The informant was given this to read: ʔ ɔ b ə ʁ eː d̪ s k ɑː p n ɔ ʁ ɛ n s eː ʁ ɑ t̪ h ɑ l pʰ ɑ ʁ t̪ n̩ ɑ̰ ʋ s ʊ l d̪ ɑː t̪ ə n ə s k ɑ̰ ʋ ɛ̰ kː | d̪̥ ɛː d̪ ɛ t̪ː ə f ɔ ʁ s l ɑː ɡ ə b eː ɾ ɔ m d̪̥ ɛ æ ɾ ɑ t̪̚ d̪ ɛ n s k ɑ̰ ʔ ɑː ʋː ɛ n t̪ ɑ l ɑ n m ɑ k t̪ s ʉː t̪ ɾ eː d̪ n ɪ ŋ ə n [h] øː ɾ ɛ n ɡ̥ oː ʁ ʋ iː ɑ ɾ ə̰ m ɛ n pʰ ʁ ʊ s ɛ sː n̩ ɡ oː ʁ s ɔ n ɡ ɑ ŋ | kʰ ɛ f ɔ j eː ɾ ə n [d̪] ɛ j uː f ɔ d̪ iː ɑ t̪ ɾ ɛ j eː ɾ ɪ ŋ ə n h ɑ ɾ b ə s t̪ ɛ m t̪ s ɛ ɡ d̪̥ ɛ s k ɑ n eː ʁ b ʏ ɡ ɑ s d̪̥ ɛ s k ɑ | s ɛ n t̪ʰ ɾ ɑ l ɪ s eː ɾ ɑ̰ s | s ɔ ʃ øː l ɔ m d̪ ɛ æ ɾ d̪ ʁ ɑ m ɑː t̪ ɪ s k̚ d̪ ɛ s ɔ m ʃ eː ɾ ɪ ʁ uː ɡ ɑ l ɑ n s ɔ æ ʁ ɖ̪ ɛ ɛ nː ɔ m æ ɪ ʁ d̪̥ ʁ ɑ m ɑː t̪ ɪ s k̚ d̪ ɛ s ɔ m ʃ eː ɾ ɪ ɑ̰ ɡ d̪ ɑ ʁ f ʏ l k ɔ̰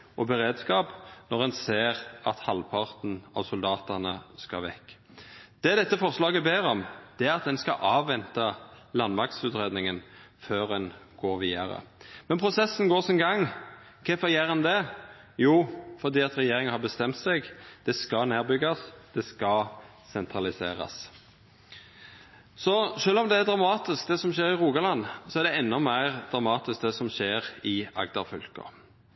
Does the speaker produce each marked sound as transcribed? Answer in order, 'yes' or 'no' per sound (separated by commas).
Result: no, yes